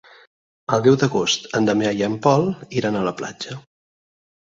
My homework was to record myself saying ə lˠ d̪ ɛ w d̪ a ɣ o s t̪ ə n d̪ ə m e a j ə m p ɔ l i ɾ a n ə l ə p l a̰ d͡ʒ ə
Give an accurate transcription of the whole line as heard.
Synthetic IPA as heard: ə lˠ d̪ ɛ w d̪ ə ɣ o s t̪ ə n d̪ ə m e a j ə m p ɔ l i ɾ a n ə l ə p l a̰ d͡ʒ ə